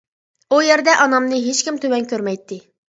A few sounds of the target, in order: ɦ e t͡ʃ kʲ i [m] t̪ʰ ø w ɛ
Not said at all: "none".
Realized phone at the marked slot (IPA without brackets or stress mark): m